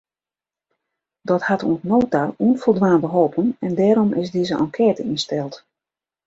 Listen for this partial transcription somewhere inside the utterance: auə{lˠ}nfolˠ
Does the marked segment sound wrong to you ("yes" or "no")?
yes